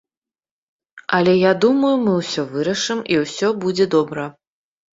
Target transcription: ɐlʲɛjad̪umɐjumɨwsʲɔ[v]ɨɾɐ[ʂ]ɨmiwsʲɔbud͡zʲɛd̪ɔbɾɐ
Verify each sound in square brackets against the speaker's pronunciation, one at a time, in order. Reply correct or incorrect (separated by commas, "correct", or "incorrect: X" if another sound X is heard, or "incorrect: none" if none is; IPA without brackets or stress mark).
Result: correct, correct